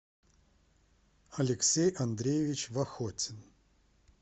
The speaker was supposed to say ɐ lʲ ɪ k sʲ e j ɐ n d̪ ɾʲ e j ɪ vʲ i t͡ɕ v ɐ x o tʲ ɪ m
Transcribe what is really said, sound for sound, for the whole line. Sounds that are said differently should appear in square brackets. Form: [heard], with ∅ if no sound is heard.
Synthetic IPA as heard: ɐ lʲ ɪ k sʲ e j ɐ n d̪ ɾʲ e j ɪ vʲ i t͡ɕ v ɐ x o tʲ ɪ [n]